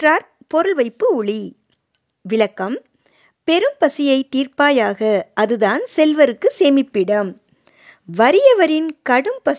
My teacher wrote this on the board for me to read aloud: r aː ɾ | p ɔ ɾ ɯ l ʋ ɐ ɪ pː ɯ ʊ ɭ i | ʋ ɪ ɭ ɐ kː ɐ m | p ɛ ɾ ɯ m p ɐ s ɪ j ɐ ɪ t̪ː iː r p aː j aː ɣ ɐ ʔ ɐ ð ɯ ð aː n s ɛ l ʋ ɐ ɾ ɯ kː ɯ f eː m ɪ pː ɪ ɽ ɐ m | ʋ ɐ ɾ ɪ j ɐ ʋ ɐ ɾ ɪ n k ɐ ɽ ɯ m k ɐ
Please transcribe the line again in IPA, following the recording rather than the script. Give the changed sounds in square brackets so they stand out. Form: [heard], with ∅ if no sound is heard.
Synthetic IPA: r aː ɾ | p ɔ ɾ ɯ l ʋ ɐ ɪ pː ɯ ʊ ɭ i | ʋ ɪ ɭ ɐ kː ɐ m | p ɛ ɾ ɯ m p ɐ s ɪ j ɐ ɪ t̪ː iː r p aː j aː ɣ ɐ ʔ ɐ ð ɯ ð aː n s ɛ l ʋ ɐ ɾ ɯ kː ɯ [s] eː m ɪ pː ɪ ɽ ɐ m | ʋ ɐ ɾ ɪ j ɐ ʋ ɐ ɾ ɪ n k ɐ ɽ ɯ m [p] ɐ